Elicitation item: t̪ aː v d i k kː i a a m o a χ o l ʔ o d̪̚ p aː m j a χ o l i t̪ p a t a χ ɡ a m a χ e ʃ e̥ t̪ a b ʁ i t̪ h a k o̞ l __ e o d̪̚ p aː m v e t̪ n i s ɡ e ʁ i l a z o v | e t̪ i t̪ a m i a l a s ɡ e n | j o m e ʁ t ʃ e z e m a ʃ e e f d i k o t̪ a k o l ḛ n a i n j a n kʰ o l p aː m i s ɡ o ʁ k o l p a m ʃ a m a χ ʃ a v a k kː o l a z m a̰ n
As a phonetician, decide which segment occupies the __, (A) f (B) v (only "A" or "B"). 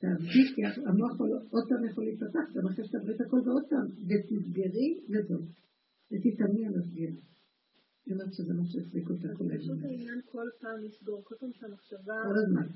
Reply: B